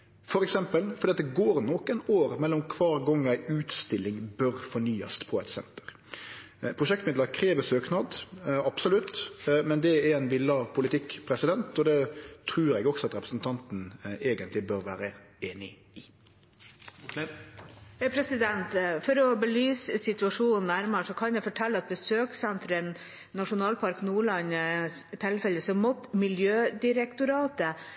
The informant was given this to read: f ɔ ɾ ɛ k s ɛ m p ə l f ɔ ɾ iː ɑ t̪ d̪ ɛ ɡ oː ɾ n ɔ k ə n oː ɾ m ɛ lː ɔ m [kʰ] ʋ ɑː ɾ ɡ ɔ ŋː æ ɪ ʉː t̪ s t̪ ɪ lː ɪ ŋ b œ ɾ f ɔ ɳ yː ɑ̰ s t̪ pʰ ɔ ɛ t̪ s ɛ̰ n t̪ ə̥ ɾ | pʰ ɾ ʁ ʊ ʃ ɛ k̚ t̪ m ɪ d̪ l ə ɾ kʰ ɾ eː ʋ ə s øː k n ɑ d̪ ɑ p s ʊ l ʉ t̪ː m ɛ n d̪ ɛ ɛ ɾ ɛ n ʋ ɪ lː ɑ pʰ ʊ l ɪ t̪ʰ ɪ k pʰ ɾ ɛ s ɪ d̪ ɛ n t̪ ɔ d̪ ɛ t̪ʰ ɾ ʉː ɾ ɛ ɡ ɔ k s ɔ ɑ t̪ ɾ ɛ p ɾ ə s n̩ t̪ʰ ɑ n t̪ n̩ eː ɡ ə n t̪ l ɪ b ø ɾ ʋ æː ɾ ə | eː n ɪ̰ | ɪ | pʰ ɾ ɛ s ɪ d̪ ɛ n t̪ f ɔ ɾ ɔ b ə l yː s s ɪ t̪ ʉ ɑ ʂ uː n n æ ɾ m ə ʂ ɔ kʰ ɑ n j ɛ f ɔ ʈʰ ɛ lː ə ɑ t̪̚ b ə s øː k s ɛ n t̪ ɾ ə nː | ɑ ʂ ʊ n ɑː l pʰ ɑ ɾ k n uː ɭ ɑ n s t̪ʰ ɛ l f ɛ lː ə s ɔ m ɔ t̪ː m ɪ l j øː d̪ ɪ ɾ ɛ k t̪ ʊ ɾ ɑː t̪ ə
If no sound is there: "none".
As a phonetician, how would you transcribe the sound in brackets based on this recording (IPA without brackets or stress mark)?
kʰ